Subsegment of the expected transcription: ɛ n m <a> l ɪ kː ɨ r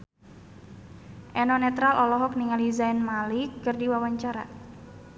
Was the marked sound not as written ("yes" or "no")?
no